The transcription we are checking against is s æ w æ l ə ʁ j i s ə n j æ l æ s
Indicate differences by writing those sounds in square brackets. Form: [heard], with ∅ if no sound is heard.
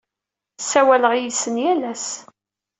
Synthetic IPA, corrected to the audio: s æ w æ l ə ʁ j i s ə n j æ l æ s